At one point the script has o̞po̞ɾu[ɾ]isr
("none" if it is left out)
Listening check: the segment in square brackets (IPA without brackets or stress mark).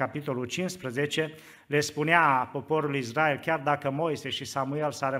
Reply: l